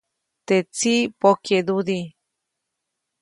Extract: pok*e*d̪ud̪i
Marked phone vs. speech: correct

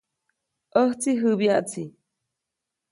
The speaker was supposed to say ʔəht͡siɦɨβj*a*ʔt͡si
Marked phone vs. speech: correct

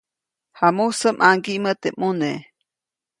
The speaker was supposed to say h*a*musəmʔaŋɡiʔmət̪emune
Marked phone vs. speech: correct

